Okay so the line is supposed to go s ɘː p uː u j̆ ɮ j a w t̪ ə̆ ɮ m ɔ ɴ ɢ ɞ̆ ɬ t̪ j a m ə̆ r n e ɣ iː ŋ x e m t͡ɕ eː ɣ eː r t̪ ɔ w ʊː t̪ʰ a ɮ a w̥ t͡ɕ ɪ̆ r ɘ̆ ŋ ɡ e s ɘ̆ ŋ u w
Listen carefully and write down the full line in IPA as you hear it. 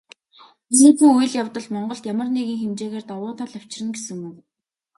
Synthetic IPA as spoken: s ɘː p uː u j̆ ɮ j a w t̪ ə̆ ɮ m ɔ ɴ ɢ ɞ̆ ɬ t̪ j a m ə̆ r n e ɣ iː ŋ x e m t͡ɕ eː ɣ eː r t̪ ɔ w ʊː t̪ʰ a ɮ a w̥ t͡ɕ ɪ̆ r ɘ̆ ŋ ɡ e s ɘ̆ ŋ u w